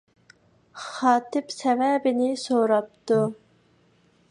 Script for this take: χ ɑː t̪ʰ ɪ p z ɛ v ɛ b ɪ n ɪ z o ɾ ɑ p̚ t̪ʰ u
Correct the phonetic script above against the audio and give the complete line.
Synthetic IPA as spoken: χ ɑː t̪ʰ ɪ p s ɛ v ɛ b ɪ n ɪ s o ɾ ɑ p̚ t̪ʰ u